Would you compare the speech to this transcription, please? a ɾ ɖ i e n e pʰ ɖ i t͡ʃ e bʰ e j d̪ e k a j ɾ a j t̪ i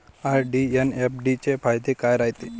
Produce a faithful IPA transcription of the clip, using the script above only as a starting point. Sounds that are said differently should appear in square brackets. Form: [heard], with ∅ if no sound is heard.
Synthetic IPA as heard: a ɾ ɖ i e n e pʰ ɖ i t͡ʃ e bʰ [a] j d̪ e k a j ɾ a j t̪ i